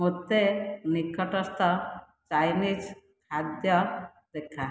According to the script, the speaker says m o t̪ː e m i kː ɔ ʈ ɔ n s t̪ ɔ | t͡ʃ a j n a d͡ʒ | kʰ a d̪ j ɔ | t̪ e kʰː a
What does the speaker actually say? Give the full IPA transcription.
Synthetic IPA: m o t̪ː e n i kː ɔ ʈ ɔ s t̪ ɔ | t͡ʃ a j n i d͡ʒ | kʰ a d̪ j ɔ | d̪ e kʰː a